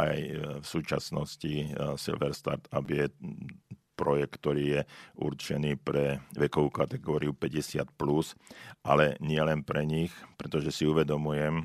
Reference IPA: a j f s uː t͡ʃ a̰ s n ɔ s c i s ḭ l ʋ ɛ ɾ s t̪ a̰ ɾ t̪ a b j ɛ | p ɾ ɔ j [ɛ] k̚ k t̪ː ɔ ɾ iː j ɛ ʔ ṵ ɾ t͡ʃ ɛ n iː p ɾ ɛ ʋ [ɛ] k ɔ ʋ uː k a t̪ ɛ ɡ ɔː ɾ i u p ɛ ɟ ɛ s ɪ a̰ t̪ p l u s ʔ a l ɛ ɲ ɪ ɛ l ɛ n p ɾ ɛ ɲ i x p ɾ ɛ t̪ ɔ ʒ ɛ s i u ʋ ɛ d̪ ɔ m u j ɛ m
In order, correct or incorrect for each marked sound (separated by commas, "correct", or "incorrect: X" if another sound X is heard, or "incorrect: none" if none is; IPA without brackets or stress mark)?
correct, correct